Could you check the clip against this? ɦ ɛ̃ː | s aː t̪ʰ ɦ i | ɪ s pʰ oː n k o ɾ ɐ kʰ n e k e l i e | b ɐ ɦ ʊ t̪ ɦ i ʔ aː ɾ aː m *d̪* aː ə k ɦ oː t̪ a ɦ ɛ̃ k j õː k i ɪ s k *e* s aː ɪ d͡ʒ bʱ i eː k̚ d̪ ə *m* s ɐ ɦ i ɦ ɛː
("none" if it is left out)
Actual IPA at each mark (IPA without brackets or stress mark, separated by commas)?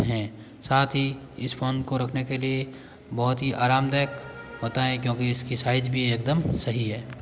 d̪, i, m